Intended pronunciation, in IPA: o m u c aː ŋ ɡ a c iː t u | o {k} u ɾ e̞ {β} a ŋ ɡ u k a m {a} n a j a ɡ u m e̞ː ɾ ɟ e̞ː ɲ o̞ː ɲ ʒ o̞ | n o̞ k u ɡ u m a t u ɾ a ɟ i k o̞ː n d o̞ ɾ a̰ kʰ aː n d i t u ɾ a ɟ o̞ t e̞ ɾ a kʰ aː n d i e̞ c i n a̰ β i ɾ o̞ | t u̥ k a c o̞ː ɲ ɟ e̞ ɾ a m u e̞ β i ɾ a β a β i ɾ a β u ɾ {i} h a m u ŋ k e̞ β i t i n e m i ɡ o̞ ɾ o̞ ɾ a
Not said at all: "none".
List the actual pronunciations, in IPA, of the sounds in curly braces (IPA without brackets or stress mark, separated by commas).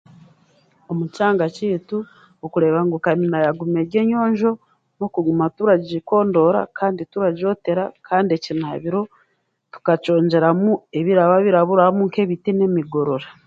k, β, i, a